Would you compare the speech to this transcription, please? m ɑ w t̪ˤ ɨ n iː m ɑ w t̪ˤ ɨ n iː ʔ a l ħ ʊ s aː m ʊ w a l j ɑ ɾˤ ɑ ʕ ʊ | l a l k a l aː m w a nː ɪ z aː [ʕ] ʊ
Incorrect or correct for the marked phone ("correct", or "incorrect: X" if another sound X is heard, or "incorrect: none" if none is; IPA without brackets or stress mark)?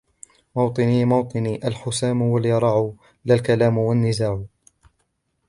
correct